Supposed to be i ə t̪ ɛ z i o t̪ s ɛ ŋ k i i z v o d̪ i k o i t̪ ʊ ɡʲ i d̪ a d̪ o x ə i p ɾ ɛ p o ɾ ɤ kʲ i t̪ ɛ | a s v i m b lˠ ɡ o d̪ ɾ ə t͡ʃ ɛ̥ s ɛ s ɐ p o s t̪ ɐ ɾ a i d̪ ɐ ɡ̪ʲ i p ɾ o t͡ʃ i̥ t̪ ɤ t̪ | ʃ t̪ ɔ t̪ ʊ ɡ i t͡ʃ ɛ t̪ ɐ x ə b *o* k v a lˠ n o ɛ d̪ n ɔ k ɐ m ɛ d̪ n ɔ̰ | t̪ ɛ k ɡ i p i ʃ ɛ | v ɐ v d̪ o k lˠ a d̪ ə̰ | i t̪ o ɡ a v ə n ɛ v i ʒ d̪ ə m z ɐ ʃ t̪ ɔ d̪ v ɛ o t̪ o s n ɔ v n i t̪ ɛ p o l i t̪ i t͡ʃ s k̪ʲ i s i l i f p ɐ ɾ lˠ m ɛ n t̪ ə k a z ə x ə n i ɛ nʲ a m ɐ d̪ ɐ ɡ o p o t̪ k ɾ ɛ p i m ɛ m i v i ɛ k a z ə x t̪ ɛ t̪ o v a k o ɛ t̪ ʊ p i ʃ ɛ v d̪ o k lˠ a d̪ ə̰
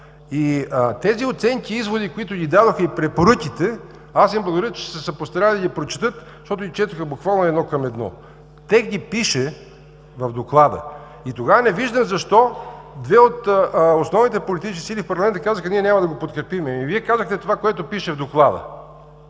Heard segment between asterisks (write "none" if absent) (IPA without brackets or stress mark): u